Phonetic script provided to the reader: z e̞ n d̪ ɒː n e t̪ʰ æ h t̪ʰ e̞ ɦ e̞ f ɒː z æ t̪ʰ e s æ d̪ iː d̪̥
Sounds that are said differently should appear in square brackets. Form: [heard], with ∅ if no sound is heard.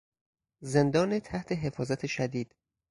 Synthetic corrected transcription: z e̞ n d̪ ɒː n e t̪ʰ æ h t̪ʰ e̞ ɦ e̞ f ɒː z æ t̪ʰ e [ʃ] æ d̪ iː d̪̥